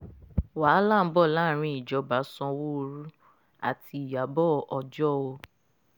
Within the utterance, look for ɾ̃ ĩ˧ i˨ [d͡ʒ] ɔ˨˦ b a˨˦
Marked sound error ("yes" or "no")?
no